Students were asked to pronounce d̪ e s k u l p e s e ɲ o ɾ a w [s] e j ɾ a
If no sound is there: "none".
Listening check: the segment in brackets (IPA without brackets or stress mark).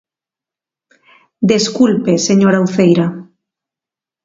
θ